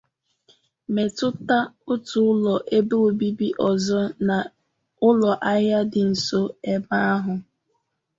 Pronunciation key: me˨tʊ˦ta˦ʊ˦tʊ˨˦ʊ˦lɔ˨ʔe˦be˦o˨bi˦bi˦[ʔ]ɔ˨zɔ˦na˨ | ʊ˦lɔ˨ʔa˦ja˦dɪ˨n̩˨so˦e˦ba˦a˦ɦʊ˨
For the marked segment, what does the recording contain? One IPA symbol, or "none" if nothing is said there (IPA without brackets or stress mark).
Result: ʔ